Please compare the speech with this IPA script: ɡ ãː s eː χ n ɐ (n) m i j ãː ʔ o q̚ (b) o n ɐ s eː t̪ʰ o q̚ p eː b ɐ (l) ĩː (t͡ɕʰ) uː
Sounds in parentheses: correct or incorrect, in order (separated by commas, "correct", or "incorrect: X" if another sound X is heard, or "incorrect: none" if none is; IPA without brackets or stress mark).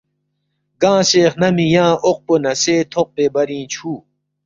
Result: incorrect: none, incorrect: p, incorrect: ɾ, correct